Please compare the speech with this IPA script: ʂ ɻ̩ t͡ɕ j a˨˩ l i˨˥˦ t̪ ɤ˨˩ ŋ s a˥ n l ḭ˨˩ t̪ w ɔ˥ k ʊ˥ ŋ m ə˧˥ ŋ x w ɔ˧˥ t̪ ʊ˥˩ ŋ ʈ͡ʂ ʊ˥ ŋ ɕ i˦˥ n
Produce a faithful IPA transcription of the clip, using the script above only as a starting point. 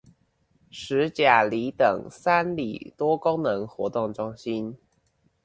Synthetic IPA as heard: ʂ ɻ̩ t͡ɕ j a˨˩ l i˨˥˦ t̪ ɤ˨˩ ŋ s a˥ n l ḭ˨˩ t̪ w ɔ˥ k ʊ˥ ŋ n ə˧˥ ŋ x w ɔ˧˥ t̪ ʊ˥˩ ŋ ʈ͡ʂ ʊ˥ ŋ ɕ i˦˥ n